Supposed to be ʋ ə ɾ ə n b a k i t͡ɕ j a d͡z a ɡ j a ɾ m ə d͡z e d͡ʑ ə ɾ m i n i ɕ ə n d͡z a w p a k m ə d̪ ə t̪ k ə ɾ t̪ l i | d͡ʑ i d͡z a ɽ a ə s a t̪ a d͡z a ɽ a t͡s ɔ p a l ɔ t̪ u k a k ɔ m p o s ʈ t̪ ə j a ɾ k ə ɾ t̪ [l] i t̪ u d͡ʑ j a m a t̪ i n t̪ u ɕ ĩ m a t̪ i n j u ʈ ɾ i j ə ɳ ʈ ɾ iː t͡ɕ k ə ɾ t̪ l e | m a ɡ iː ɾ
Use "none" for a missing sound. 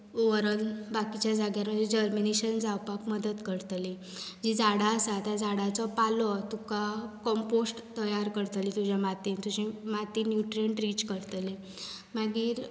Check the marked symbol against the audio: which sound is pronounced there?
l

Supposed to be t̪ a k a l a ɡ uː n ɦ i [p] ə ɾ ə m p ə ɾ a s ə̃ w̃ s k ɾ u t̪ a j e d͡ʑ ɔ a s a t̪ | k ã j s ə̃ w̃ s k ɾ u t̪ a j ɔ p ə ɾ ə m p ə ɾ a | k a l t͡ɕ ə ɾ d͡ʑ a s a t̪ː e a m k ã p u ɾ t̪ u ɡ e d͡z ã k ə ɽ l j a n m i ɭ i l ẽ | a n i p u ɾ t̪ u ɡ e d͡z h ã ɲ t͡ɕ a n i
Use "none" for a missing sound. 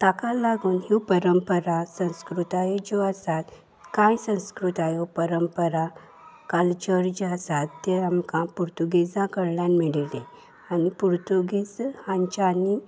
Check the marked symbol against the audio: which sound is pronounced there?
p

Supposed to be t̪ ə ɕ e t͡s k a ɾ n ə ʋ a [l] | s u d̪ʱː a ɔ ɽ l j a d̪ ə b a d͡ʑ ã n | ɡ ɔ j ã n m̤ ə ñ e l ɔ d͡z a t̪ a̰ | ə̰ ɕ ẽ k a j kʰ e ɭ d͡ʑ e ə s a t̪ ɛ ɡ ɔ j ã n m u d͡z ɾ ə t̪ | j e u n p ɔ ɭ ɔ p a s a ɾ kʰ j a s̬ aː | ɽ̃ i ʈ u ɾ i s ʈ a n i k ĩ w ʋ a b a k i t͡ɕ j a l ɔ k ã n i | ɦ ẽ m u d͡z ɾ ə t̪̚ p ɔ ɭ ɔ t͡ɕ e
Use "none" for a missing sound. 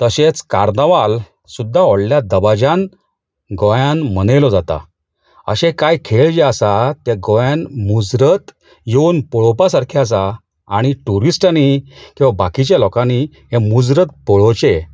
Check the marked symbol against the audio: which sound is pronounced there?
l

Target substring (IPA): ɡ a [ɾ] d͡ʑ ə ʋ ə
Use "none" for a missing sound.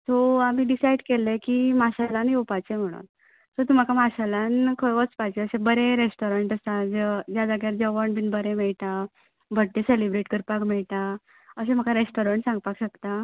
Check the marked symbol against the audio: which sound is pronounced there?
ɾ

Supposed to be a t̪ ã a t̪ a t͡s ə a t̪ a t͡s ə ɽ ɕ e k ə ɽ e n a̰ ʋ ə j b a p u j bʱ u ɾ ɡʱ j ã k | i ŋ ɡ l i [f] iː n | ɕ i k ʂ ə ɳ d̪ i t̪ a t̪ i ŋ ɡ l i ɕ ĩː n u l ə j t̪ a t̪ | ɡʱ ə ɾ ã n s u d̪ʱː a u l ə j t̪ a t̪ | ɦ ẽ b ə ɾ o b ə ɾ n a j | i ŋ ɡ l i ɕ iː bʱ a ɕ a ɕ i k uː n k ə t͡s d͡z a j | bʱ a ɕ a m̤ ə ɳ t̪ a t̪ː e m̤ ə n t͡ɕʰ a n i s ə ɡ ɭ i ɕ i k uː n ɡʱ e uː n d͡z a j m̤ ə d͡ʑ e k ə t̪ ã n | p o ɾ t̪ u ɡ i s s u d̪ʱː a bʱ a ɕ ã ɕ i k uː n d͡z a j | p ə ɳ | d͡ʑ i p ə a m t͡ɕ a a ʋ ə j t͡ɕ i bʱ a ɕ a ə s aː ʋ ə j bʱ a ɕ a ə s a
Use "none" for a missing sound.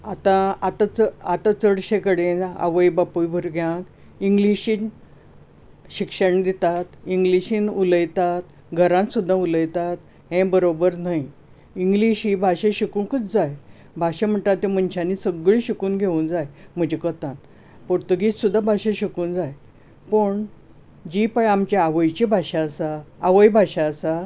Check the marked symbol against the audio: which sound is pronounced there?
ɕ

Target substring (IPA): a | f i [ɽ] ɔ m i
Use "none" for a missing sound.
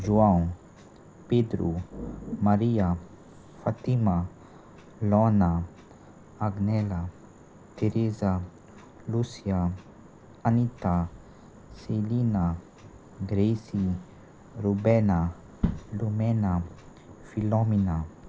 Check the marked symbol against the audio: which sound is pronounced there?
l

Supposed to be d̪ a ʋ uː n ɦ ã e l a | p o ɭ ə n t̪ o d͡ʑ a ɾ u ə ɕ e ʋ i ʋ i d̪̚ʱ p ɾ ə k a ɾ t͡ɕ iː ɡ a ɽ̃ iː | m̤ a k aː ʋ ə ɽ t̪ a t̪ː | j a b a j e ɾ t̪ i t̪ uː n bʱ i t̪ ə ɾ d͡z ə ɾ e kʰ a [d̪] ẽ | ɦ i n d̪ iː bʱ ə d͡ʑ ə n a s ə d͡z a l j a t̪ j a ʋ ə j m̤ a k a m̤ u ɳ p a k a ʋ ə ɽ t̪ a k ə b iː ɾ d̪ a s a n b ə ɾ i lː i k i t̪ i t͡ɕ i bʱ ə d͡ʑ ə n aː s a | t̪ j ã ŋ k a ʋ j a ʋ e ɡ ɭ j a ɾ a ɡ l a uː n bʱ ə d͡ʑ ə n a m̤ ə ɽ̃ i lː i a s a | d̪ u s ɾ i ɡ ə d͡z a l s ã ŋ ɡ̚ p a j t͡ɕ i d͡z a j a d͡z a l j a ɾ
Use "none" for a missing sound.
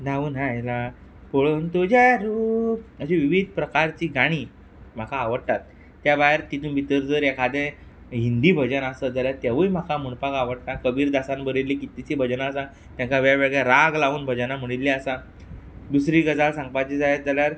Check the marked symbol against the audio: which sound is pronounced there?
d̪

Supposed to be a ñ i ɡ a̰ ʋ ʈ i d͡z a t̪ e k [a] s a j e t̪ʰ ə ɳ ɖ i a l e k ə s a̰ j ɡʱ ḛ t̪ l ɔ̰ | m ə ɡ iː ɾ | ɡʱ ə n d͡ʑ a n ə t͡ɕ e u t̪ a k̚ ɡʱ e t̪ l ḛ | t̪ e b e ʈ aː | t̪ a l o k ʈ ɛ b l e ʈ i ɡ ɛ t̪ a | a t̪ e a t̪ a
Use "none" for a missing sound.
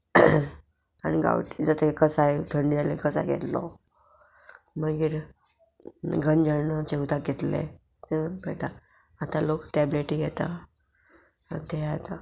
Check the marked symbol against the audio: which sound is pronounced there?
ə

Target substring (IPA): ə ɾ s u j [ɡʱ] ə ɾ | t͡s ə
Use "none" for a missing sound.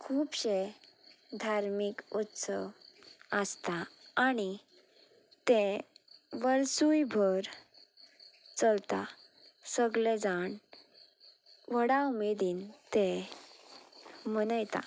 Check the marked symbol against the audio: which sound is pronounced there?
bʱ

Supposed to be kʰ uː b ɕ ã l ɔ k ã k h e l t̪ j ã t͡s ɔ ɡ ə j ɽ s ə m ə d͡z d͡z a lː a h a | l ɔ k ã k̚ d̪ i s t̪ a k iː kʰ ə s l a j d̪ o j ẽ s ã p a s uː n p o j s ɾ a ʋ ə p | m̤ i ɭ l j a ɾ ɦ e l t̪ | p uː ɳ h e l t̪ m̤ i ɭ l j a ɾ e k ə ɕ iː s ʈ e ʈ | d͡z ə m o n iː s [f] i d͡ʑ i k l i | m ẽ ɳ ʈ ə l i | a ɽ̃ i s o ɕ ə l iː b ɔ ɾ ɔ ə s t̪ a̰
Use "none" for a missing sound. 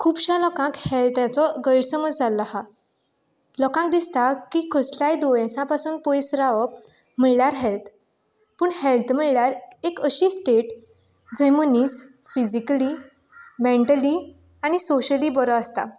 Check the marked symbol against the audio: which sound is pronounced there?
f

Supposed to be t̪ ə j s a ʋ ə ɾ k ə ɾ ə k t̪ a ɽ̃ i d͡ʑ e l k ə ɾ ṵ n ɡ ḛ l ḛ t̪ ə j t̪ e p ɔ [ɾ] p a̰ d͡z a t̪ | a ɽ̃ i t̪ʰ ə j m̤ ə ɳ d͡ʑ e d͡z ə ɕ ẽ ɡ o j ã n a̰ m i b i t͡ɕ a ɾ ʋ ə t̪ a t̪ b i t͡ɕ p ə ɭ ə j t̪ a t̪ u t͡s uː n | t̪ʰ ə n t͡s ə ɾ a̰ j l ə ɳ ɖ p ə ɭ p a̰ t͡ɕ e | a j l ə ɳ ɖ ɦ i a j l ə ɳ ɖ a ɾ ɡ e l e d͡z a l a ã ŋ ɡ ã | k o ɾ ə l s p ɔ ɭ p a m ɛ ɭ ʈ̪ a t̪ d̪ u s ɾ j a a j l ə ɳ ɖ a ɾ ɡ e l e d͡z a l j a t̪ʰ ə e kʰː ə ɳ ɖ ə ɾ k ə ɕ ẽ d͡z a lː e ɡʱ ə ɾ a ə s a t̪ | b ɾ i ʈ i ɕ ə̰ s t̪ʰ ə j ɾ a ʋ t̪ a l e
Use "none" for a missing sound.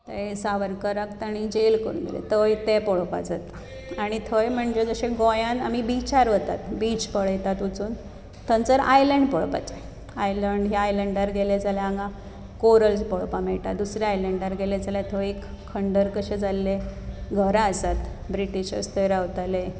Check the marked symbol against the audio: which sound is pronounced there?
ɭ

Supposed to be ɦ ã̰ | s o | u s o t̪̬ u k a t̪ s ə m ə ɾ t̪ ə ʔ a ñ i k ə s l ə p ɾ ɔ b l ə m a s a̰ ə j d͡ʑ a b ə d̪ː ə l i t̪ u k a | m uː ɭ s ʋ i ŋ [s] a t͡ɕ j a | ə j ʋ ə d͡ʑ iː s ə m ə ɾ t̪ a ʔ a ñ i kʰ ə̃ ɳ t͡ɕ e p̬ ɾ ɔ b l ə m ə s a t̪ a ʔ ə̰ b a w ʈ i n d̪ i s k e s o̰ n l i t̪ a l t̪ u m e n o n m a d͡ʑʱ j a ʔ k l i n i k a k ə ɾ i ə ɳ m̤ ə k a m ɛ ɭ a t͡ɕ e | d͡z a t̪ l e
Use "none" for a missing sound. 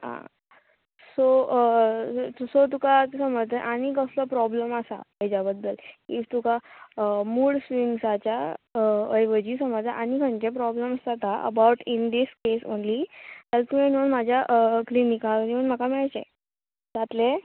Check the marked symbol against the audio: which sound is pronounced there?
s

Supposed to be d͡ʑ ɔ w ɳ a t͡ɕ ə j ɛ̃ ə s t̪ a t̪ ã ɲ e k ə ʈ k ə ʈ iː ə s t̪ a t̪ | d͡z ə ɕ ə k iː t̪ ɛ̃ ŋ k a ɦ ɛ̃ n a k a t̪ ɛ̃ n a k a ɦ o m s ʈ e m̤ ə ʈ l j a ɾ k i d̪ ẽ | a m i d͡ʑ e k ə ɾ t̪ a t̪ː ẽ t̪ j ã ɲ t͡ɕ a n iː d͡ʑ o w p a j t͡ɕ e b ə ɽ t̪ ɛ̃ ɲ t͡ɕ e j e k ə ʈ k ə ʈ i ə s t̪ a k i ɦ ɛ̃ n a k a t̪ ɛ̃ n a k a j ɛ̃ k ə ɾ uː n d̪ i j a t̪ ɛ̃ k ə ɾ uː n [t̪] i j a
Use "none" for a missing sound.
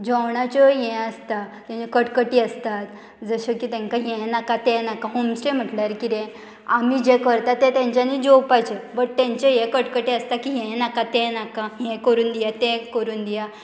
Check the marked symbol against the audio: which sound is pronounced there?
d̪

